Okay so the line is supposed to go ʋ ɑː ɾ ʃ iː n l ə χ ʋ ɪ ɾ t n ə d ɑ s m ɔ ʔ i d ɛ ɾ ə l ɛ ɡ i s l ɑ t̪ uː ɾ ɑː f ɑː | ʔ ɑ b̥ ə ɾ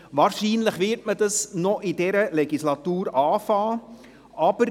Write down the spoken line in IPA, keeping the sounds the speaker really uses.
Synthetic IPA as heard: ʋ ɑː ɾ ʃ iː n l ə χ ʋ ɪ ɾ t m ə d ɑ s n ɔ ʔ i d ɛ ɾ ə l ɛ ɡ i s l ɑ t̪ uː ɾ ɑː f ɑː | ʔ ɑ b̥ ə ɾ